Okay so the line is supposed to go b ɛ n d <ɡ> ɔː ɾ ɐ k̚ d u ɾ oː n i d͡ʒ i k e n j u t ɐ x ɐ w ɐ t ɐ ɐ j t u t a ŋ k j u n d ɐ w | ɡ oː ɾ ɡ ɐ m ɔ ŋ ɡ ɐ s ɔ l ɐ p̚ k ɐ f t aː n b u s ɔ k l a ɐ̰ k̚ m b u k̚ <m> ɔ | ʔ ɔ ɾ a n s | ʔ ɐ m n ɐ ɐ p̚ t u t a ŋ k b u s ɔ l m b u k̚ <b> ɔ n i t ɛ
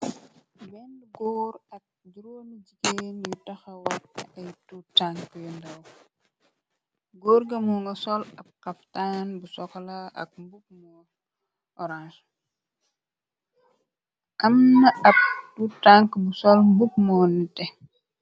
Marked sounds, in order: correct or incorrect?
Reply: correct, correct, incorrect

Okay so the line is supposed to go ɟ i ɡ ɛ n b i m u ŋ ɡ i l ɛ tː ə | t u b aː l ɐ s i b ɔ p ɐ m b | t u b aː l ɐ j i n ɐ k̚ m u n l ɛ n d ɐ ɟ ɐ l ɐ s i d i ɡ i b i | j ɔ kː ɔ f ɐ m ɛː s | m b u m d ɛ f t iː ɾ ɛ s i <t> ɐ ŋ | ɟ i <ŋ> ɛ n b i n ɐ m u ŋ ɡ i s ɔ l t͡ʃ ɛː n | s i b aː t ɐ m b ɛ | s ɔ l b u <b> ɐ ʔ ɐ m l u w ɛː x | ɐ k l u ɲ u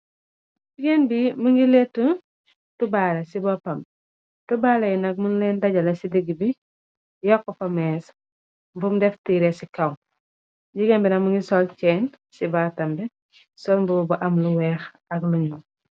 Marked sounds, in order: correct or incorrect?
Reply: incorrect, incorrect, correct

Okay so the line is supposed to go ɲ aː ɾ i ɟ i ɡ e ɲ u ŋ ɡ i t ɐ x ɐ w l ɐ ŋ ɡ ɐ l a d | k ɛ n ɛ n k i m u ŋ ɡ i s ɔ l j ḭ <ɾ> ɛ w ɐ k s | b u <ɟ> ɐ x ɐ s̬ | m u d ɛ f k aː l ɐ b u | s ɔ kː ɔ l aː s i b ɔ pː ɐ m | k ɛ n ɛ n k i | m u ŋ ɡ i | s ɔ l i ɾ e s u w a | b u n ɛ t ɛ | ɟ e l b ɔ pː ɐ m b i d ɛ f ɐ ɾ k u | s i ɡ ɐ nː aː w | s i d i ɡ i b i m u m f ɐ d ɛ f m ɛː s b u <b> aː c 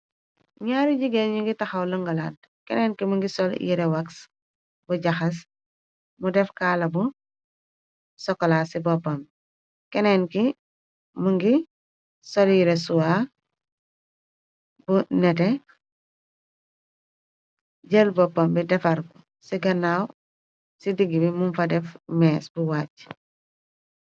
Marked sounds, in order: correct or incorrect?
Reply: correct, correct, incorrect

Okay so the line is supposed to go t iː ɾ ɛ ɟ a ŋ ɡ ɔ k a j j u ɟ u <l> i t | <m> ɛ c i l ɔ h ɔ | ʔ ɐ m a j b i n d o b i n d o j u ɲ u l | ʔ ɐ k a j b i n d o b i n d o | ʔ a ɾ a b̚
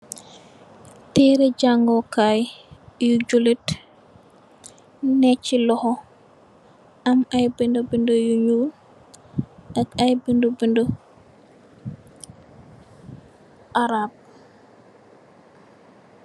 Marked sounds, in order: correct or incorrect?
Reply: correct, incorrect

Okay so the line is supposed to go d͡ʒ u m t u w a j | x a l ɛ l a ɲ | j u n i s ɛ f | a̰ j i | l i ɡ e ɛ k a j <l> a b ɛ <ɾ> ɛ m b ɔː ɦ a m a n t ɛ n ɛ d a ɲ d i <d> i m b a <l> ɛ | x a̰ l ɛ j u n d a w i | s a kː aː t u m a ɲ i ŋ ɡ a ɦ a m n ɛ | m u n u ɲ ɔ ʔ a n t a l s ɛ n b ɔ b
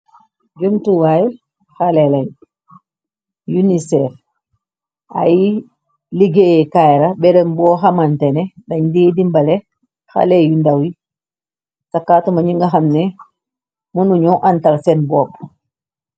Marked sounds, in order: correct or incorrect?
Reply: incorrect, correct, correct, correct

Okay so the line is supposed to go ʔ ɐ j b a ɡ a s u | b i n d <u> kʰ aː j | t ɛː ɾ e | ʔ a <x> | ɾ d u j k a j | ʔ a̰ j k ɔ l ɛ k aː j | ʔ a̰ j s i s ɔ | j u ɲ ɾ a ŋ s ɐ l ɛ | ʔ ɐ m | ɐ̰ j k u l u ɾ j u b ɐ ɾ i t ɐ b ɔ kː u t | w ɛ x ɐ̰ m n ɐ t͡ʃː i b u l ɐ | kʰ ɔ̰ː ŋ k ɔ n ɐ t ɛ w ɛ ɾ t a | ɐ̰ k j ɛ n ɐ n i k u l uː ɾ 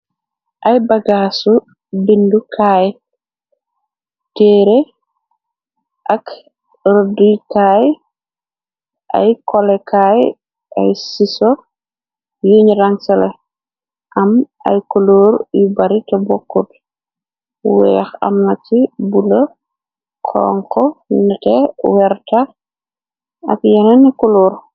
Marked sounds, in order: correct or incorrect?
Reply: correct, incorrect

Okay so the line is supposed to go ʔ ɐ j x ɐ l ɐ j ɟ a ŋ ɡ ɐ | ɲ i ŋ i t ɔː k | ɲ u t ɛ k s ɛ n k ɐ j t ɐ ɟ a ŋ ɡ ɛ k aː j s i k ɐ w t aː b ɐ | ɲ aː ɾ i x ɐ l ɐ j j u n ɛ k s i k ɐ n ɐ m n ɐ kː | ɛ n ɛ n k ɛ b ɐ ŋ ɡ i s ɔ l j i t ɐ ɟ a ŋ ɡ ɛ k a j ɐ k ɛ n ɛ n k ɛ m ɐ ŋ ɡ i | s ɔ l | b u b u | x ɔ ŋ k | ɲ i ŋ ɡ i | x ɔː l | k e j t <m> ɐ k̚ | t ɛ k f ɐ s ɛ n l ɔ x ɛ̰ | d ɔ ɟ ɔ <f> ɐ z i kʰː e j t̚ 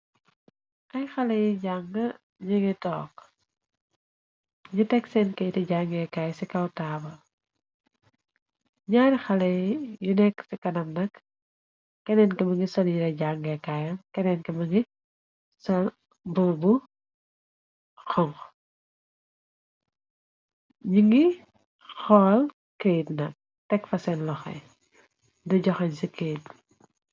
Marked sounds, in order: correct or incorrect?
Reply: incorrect, incorrect

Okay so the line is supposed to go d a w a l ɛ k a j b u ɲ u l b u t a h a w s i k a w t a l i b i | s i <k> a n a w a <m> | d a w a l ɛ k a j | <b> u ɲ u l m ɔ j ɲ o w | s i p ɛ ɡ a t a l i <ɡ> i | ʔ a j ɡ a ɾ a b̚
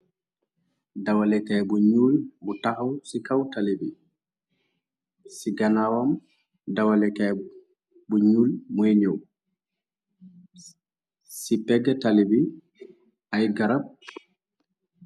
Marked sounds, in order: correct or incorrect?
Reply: incorrect, correct, correct, incorrect

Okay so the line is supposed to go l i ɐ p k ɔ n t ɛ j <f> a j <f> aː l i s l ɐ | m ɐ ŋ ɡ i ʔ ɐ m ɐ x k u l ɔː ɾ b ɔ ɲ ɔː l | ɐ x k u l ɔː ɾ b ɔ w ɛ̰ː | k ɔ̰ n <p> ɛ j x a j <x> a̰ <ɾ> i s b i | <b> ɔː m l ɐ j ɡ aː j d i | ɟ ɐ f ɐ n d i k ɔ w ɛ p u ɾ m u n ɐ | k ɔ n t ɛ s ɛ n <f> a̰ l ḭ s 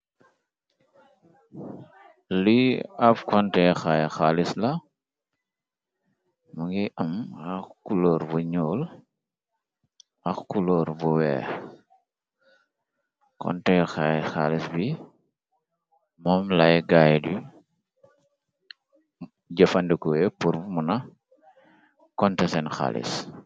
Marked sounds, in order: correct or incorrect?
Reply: incorrect, incorrect, incorrect, correct, incorrect, incorrect, incorrect

